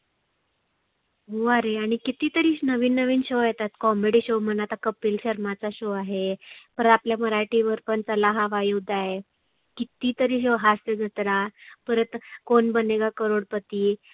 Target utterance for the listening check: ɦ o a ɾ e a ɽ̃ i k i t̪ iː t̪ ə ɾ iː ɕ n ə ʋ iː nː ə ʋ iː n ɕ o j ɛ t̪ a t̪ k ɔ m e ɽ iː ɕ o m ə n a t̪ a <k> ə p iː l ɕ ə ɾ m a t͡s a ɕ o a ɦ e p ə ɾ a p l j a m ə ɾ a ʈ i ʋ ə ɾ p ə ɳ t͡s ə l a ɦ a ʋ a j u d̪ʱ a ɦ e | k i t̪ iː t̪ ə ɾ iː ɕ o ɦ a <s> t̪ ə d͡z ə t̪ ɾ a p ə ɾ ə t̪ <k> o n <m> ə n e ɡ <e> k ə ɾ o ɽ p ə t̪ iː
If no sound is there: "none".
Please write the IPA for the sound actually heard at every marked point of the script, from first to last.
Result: k, s, k, b, a

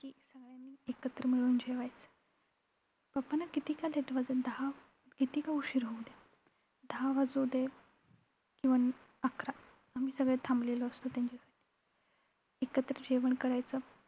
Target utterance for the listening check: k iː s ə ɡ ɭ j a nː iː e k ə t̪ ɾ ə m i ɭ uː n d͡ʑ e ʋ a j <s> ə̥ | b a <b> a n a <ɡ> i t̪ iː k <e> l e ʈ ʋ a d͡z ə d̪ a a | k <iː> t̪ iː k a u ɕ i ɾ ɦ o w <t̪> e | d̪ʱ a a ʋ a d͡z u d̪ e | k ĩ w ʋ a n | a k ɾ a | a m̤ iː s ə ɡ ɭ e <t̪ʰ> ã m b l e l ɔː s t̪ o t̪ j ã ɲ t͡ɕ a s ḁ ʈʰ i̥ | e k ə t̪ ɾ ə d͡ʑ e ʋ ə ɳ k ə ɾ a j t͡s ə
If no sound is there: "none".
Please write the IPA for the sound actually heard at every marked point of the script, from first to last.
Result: t͡s, p, k, a, i, d̪, t̪ʰ

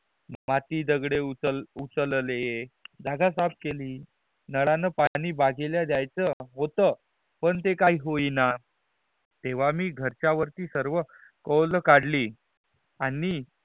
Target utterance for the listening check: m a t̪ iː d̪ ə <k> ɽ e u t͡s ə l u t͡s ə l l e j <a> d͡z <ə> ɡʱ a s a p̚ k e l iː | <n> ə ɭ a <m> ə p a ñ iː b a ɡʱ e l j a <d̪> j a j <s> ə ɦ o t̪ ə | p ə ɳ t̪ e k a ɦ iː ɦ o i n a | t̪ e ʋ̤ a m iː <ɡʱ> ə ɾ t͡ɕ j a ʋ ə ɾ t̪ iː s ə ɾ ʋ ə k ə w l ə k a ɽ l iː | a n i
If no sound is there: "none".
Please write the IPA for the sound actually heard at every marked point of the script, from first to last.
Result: ɡ, e, a, n, n, d̪, t͡s, ɡʱ

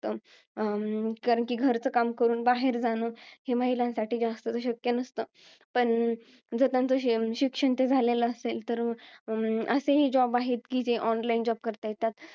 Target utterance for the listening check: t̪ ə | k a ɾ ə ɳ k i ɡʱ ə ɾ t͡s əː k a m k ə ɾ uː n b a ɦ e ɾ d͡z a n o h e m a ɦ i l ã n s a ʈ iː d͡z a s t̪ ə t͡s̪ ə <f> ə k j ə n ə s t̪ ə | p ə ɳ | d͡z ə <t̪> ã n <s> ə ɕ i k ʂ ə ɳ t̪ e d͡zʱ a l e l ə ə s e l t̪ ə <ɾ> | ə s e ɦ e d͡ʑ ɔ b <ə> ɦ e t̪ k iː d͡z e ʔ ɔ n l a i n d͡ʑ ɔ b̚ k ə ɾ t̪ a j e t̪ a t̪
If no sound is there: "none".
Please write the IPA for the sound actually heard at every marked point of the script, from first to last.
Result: ɕ, t̪, t͡s, ɾ, a

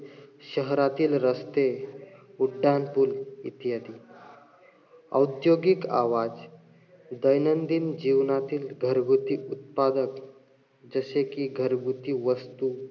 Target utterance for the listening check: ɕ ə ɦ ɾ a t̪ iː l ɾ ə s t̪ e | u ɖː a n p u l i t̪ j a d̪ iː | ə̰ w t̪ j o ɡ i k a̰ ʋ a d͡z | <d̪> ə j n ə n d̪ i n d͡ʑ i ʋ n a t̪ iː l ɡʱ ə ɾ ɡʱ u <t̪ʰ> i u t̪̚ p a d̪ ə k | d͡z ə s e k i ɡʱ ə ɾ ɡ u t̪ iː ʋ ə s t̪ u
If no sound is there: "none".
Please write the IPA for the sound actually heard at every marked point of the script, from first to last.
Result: d̪, t̪

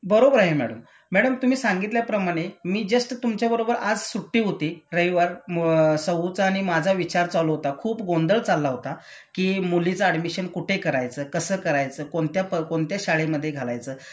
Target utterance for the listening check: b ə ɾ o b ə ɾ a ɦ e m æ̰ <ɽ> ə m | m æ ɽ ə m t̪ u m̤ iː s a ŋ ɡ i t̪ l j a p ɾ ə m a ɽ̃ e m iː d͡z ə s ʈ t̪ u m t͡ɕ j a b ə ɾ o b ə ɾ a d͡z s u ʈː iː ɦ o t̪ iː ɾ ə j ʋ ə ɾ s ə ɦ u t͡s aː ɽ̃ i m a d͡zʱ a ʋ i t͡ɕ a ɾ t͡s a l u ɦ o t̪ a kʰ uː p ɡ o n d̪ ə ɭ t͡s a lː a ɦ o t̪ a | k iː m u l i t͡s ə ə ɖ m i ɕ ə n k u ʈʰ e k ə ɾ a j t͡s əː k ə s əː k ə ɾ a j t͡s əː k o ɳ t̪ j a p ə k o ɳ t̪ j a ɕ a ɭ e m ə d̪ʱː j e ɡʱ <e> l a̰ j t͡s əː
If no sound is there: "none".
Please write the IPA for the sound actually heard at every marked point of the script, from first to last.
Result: ɽ, a

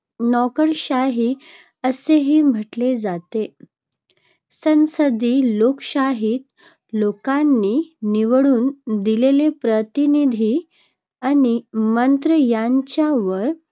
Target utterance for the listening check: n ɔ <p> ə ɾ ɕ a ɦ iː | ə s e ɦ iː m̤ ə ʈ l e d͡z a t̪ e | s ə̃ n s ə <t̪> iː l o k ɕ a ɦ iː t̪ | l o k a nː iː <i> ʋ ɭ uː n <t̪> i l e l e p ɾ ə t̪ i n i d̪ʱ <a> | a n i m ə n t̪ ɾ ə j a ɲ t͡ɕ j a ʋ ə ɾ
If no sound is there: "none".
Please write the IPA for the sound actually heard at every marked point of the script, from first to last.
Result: k, d̪, i, d̪, i

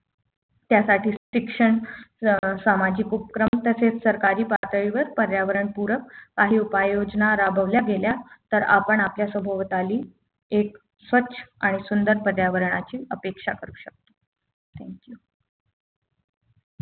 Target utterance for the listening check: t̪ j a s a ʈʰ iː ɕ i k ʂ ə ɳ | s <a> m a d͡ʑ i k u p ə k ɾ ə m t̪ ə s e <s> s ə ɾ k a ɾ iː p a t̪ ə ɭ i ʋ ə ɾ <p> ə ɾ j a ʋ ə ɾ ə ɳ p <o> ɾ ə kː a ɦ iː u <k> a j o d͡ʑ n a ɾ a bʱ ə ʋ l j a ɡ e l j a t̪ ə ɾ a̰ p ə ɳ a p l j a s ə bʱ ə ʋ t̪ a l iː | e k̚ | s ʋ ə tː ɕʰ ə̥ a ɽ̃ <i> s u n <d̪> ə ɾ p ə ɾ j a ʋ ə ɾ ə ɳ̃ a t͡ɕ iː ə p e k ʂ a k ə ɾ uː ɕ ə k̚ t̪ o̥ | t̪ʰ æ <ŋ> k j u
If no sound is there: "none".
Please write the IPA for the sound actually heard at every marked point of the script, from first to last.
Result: a, t͡s, p, u, p, i, d̪, ŋ

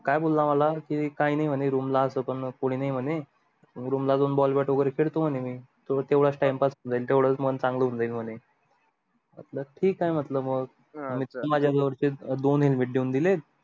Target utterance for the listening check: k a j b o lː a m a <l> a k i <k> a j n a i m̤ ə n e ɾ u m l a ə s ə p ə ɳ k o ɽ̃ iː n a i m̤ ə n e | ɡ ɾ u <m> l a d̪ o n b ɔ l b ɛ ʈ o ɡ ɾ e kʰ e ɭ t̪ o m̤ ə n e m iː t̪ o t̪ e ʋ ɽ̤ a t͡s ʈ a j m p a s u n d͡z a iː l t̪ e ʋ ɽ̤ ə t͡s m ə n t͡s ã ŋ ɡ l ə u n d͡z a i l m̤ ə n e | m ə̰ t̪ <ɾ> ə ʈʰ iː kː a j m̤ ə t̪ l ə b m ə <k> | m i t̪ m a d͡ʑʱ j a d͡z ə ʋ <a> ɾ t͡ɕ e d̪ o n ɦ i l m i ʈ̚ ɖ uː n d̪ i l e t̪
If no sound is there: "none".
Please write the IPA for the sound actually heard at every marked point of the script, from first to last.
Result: l, k, m, l, ɡ, ə

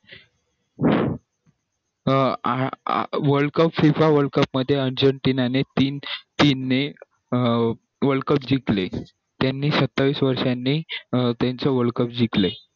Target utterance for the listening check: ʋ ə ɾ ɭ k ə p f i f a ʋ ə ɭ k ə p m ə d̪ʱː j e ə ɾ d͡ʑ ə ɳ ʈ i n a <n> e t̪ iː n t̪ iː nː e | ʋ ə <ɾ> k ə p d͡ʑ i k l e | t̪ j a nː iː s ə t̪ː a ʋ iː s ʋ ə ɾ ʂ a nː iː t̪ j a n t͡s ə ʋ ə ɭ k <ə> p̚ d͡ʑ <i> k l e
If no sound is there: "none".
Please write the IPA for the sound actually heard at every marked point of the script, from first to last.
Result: n, ɭ, ə, i

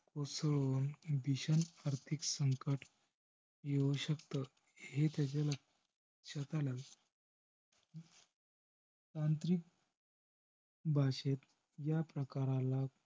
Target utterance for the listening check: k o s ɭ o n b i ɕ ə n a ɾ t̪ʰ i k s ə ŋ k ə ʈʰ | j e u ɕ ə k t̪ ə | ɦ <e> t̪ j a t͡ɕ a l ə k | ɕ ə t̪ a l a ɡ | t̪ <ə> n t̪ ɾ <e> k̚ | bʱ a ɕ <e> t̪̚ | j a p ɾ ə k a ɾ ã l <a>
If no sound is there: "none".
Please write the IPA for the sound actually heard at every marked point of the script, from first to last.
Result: e, a, i, e, a

